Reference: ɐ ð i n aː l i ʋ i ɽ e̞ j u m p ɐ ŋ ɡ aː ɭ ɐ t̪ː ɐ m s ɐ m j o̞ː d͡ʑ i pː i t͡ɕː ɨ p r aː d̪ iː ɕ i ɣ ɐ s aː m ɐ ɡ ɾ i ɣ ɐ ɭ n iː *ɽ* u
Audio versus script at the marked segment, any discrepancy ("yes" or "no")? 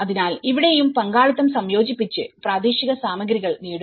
no